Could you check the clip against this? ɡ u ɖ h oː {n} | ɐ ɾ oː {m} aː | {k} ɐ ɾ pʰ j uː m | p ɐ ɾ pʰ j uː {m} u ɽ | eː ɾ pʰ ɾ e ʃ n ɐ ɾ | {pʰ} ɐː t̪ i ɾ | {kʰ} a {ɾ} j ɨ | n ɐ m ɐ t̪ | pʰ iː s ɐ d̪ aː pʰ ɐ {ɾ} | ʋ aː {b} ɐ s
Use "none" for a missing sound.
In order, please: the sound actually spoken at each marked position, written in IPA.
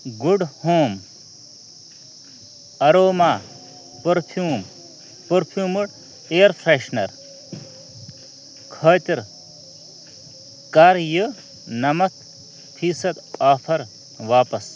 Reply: m, m, p, m, kʰ, k, ɾ, ɾ, p

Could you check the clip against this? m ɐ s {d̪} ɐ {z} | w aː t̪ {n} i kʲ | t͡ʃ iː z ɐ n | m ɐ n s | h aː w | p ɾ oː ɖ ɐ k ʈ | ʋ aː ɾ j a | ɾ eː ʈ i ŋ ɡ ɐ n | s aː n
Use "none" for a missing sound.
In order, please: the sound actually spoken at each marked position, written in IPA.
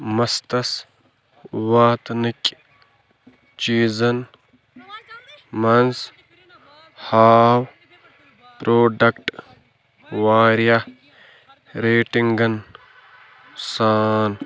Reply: t̪, s, n

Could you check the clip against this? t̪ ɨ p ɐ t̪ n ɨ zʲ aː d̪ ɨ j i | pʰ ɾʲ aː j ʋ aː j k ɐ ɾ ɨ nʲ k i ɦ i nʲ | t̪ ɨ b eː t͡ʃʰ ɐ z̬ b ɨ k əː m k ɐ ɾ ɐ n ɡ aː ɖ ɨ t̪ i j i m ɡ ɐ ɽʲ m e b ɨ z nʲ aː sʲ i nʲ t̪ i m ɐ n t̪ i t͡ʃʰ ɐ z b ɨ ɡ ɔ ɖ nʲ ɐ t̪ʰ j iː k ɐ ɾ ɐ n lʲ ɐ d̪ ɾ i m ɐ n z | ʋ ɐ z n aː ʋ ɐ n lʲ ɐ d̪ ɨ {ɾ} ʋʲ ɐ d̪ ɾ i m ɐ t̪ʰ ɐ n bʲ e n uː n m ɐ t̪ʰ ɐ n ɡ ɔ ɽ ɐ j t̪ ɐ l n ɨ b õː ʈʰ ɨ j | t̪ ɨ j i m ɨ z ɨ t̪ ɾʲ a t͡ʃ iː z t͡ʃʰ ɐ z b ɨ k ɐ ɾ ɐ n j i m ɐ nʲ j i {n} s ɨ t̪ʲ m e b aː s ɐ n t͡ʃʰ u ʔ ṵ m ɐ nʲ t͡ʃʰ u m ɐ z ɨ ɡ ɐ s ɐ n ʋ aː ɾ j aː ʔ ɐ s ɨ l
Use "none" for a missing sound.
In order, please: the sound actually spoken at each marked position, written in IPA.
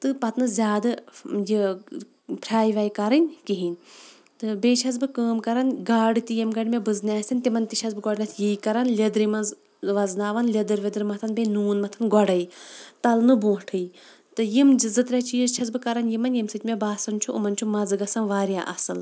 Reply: ɾ, m

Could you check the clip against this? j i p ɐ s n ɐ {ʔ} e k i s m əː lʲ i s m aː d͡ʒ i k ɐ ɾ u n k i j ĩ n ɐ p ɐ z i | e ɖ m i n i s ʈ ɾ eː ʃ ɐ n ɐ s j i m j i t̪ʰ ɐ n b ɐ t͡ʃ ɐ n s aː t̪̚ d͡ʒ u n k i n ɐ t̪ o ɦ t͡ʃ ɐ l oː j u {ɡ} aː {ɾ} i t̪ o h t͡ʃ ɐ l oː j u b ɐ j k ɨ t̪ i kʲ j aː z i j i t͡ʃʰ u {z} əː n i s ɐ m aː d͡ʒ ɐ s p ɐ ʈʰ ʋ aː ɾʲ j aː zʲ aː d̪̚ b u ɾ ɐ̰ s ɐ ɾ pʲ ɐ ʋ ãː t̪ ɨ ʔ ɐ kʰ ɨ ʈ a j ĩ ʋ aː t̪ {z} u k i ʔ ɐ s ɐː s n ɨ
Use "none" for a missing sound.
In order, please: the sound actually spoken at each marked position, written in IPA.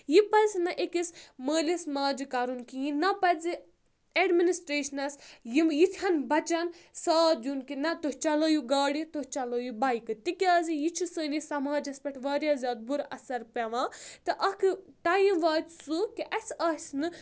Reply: ʔ, ɡ, ɽ, s, s

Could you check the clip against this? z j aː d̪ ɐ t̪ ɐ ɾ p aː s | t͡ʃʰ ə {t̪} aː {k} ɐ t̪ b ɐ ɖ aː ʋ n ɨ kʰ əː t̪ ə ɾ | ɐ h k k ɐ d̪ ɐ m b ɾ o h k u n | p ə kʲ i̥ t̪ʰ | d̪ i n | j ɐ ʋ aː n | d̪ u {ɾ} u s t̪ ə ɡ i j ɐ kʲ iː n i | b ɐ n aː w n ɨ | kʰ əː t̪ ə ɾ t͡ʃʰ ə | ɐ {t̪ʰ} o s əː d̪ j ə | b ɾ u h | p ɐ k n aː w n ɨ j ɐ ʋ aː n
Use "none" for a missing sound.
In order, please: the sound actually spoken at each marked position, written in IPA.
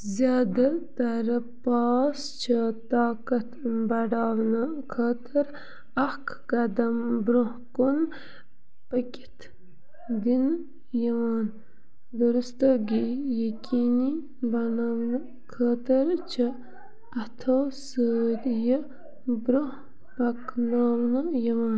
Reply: t̪, k, ɾ, t̪ʰ

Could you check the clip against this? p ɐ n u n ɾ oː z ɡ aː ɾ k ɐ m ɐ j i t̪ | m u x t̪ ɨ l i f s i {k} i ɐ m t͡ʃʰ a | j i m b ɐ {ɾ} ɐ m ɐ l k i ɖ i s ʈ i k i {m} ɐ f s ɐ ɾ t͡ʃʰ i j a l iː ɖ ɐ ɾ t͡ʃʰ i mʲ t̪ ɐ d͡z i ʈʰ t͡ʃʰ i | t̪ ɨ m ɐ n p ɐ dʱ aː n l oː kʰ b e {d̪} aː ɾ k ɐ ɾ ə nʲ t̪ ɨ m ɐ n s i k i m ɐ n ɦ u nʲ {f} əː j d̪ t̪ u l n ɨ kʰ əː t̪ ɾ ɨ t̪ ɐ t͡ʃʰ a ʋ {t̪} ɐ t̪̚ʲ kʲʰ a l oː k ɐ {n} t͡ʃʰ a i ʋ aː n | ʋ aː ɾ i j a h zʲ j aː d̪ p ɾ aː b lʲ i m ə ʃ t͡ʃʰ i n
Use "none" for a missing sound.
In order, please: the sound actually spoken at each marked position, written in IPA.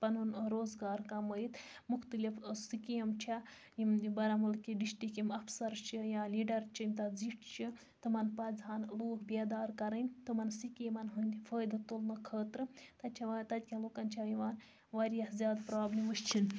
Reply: k, ɾ, m, d̪, f, t̪, n

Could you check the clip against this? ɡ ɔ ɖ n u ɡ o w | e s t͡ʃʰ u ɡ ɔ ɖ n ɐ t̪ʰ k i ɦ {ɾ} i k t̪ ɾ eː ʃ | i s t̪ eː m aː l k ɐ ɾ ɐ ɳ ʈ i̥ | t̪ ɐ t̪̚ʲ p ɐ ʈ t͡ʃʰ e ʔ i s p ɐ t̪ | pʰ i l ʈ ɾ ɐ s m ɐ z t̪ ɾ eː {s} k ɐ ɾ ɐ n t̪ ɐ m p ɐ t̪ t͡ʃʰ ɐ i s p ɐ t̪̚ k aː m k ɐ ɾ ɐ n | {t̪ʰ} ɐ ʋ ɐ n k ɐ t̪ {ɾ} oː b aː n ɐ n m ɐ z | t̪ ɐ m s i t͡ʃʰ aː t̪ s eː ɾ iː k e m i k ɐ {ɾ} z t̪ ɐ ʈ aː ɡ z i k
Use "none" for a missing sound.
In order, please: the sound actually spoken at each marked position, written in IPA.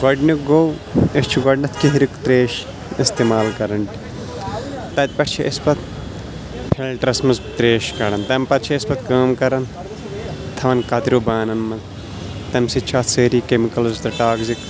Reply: ɾ, ʃ, t̪ʰ, ɾ, l

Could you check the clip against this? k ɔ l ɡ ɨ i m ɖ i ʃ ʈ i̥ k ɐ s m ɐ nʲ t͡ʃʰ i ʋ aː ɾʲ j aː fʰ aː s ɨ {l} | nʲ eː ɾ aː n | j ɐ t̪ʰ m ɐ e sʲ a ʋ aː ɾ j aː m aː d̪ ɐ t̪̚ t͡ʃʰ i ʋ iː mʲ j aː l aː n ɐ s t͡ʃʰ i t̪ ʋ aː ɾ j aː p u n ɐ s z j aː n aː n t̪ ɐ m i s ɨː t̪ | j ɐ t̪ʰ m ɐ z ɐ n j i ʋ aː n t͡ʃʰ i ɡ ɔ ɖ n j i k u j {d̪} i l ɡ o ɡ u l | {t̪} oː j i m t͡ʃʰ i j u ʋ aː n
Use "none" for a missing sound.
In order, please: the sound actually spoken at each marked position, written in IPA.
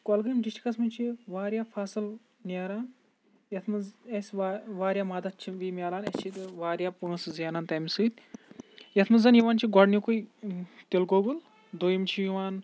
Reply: l, t̪, d̪

